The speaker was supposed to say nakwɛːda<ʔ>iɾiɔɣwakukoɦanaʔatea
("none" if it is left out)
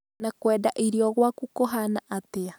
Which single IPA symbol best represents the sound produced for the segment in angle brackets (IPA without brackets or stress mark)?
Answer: ʔ